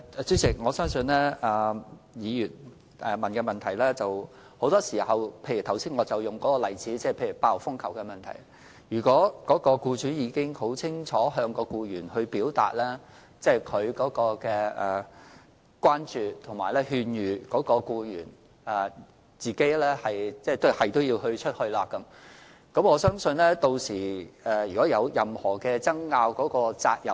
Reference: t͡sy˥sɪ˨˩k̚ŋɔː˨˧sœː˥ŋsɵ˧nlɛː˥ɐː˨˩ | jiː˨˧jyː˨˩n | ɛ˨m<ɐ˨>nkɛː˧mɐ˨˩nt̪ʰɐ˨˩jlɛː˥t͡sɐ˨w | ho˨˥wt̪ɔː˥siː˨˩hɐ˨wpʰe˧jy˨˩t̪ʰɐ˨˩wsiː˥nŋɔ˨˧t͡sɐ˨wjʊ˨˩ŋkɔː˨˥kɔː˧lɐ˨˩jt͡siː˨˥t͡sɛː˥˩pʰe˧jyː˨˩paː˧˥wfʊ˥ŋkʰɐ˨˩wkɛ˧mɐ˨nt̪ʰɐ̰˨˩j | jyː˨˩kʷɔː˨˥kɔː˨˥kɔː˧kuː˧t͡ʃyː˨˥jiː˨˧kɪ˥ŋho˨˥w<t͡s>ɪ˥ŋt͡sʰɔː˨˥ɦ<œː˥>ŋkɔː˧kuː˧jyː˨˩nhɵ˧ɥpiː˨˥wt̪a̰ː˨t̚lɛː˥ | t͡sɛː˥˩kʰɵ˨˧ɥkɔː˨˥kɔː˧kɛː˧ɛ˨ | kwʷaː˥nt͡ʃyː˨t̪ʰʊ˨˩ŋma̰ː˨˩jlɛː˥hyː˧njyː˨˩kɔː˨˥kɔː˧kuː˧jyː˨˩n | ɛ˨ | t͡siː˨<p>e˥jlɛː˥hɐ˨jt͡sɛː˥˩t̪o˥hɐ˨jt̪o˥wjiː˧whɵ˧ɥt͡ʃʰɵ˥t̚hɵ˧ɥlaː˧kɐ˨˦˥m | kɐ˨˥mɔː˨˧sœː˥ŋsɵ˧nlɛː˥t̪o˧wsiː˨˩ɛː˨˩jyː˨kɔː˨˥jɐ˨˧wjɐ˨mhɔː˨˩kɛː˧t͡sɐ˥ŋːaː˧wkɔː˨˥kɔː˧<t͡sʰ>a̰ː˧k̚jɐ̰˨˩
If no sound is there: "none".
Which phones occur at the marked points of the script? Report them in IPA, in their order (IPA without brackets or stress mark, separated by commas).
ɐ˨, t͡sʰ, œː˧, k, t͡s